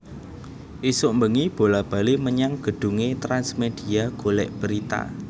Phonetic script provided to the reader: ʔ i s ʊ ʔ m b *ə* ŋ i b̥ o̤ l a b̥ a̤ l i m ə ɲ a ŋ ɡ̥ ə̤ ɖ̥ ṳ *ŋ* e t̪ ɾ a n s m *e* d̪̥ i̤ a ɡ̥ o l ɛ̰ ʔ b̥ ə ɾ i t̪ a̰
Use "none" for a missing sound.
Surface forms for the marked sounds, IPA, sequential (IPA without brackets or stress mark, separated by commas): ə, ŋ, e